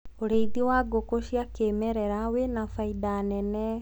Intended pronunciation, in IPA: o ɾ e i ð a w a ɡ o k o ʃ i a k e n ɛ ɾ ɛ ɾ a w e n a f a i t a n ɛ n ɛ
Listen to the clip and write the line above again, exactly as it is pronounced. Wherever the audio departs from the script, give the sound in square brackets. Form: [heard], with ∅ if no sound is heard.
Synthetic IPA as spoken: o ɾ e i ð [i] w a ɡ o k o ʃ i a k e [m] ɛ ɾ ɛ ɾ a w e n a f a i [d] a n ɛ n ɛ